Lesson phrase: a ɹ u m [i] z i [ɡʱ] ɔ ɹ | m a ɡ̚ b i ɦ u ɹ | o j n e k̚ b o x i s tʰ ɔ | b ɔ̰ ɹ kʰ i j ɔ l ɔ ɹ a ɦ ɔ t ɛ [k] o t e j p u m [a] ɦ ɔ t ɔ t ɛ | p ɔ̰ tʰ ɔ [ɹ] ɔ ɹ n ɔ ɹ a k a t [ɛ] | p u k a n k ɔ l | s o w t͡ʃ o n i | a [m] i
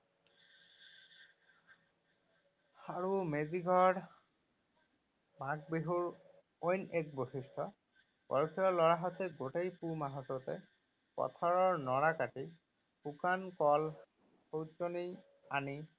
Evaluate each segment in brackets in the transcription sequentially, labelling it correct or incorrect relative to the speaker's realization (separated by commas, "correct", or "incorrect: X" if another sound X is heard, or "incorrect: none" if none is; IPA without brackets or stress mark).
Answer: incorrect: e, correct, incorrect: ɡ, correct, correct, incorrect: i, incorrect: n